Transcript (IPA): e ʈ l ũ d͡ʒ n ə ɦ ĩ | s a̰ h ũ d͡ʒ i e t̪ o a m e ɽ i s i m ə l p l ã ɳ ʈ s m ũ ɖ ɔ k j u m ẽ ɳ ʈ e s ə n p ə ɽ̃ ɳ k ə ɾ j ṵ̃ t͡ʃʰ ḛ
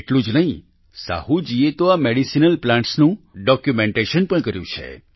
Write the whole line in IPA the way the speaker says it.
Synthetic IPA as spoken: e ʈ l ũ d͡ʒ n ə ɦ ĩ | s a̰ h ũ d͡ʒ i e t̪ o a m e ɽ i s i n ə l p l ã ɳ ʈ s n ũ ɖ ɔ k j u m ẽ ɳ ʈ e ʃ ə n p ə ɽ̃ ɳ k ə ɾ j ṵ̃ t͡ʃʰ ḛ